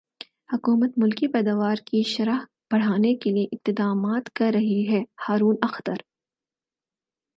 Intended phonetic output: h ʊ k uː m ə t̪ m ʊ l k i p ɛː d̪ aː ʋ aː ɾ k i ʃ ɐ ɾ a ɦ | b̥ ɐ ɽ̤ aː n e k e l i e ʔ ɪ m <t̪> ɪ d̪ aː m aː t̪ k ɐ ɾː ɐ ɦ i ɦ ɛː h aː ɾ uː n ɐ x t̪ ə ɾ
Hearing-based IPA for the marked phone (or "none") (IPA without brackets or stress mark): t̪